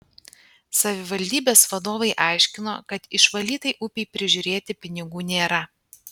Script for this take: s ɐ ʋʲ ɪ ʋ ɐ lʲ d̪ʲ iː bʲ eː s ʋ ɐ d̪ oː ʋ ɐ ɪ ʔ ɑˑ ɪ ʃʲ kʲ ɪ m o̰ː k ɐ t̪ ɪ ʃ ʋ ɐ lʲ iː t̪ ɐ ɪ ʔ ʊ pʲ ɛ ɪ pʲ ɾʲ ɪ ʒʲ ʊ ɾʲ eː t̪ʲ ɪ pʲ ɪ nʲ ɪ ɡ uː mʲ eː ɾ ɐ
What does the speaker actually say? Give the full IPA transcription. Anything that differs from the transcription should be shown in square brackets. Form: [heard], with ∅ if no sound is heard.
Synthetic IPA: s ɐ ʋʲ ɪ ʋ ɐ lʲ d̪ʲ iː bʲ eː s ʋ ɐ d̪ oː ʋ ɐ ɪ ʔ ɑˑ ɪ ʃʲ kʲ ɪ [n] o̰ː k ɐ t̪ ɪ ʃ ʋ ɐ lʲ iː t̪ ɐ ɪ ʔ ʊ pʲ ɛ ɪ pʲ ɾʲ ɪ ʒʲ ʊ ɾʲ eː t̪ʲ ɪ pʲ ɪ nʲ ɪ ɡ uː [nʲ] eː ɾ ɐ